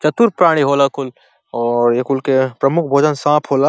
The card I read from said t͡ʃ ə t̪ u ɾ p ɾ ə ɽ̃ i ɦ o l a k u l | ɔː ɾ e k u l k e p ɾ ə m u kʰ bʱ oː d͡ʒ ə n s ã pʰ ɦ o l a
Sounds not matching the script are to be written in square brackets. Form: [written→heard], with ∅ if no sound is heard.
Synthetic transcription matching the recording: t͡ʃ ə t̪ u ɾ p ɾ [ə→a] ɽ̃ i ɦ o l a k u l | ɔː ɾ e k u l k e p ɾ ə m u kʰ bʱ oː d͡ʒ ə n s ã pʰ ɦ o l a